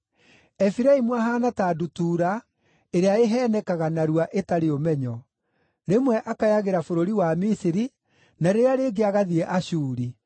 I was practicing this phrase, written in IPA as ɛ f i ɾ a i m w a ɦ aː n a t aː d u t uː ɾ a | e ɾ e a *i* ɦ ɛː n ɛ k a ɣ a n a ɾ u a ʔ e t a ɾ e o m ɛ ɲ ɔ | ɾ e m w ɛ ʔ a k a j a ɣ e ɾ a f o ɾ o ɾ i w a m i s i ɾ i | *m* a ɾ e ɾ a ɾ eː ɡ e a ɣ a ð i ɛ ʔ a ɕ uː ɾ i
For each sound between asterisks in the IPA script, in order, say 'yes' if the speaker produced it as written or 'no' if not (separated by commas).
no, no